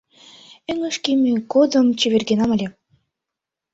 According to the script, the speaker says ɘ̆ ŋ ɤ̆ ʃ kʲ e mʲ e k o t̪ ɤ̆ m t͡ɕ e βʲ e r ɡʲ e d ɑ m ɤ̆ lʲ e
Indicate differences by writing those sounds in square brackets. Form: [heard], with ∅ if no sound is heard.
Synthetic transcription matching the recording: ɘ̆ ŋ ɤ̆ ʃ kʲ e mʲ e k o [d̪] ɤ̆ m t͡ɕ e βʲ e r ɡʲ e [n] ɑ m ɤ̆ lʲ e

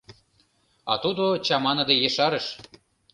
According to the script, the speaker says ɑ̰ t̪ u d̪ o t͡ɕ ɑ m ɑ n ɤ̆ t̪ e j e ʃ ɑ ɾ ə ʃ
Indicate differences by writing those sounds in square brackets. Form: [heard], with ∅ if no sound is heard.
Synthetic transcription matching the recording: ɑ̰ t̪ u d̪ o t͡ɕ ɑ m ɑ n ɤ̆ [d̪] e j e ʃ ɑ ɾ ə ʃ

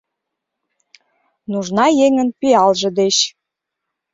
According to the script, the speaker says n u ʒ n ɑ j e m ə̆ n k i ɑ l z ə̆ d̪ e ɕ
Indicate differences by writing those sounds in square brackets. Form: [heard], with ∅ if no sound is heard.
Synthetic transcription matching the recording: n u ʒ n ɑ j e [ŋ] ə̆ n [p] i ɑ l [ʒ] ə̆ d̪ e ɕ

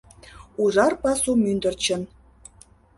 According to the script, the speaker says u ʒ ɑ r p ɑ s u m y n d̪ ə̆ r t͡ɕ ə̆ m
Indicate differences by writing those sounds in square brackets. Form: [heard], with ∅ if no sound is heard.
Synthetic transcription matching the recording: u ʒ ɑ r p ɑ s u m y n d̪ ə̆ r t͡ɕ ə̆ [n]

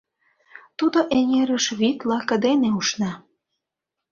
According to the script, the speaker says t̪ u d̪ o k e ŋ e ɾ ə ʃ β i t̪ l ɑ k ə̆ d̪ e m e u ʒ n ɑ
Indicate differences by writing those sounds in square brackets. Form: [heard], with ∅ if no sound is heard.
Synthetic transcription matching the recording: t̪ u d̪ o [ʔ] e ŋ e ɾ ə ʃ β i t̪ l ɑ k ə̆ d̪ e [n] e u [ʃ] n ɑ

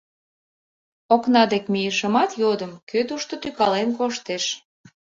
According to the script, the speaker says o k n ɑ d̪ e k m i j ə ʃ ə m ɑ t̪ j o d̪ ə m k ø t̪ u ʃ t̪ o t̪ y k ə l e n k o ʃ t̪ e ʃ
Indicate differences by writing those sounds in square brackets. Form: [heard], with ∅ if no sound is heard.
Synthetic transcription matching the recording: o k n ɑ d̪ e k m i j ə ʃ ə m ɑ t̪ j o d̪ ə m k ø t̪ u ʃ t̪ o t̪ y k [ɑ] l e n k o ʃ t̪ e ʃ

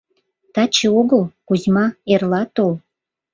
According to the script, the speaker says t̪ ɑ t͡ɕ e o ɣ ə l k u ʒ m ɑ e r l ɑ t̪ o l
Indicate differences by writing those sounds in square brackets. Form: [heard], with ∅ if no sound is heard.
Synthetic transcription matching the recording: t̪ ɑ t͡ɕ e o ɣ ə l k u [z] m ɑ e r l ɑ t̪ o l

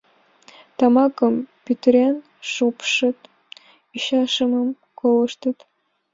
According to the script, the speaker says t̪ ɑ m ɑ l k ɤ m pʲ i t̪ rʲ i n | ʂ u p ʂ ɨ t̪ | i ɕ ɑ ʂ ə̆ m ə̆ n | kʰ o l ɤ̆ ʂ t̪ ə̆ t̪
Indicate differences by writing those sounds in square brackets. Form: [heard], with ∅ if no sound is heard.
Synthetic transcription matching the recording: t̪ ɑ m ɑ [∅] k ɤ m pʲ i t̪ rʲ [e] n | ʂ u p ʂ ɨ t̪ | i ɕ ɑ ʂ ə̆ m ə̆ [m] | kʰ o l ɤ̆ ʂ t̪ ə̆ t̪

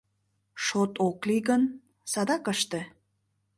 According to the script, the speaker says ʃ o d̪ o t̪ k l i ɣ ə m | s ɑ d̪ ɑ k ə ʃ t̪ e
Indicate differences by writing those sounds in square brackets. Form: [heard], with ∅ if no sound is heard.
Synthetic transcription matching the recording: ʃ o [t̪] o [∅] k l i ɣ ə [n] | s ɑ d̪ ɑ k ə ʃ t̪ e

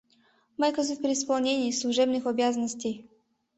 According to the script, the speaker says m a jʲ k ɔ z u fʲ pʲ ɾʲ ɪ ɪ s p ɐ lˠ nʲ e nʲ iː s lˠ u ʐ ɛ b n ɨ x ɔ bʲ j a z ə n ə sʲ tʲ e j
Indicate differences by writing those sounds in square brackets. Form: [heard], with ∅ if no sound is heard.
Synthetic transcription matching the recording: m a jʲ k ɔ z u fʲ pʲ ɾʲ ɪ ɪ s p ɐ lˠ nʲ e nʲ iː s lˠ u ʐ ɛ b n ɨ x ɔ bʲ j a z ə n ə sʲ tʲ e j

